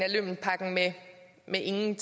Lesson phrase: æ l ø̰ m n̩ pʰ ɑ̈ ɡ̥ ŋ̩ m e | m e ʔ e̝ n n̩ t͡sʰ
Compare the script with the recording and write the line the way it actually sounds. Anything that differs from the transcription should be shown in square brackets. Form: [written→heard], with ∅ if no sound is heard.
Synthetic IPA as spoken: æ l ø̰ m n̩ pʰ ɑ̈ ɡ̥ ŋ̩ m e | m e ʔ e̝ [n→ŋ] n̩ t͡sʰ